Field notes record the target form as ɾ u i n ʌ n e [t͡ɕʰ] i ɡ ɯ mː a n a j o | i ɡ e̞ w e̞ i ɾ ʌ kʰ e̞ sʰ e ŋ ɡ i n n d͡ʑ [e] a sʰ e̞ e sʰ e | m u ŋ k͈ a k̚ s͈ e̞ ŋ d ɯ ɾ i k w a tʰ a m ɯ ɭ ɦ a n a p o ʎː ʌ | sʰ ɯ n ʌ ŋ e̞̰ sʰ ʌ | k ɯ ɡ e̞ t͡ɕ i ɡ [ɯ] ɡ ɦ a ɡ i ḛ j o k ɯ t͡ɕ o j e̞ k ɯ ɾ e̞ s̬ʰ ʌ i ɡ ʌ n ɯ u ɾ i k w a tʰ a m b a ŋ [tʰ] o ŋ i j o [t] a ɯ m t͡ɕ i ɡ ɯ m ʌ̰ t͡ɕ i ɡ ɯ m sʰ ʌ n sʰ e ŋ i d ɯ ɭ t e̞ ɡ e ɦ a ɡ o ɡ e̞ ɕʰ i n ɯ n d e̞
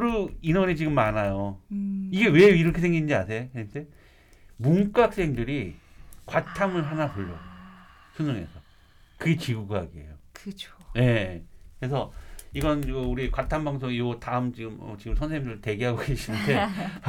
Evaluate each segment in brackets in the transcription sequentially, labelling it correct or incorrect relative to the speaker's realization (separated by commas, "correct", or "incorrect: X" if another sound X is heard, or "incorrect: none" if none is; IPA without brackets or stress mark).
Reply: incorrect: t͡ɕ, incorrect: i, incorrect: u, incorrect: sʰ, correct